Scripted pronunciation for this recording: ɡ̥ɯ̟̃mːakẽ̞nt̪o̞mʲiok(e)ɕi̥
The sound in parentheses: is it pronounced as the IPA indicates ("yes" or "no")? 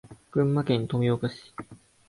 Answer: no